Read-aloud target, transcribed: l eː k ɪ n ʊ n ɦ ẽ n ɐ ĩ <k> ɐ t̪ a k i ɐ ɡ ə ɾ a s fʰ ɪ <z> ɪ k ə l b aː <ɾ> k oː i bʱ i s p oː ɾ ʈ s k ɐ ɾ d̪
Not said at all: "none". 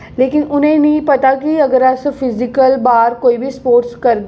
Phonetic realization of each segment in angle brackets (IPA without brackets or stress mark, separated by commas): p, z, ɾ